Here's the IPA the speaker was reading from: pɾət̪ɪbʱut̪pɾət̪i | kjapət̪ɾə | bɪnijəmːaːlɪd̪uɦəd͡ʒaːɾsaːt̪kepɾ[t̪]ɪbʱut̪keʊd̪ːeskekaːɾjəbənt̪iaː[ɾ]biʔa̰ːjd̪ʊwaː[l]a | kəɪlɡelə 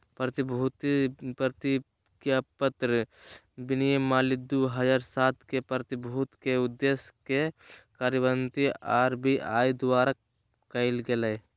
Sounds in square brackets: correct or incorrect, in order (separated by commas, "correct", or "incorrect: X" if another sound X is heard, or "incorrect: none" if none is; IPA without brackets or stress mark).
correct, correct, incorrect: ɾ